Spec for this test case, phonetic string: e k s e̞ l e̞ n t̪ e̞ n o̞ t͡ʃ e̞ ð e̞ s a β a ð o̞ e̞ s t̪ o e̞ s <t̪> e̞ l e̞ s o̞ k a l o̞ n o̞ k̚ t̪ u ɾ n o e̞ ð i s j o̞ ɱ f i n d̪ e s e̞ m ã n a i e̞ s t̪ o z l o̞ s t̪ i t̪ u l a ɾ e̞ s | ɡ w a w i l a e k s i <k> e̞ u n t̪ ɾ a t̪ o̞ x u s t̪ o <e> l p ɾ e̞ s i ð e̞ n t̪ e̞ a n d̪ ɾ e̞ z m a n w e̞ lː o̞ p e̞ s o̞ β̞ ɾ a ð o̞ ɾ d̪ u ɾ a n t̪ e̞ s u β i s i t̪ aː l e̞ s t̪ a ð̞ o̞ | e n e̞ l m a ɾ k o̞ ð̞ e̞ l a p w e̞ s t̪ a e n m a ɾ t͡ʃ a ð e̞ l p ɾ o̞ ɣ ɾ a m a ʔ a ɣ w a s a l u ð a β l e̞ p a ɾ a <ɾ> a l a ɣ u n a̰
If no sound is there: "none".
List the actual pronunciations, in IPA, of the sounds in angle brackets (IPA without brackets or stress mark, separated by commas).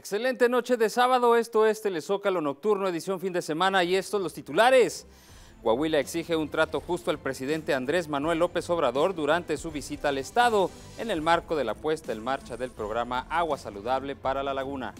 t̪, x, a, l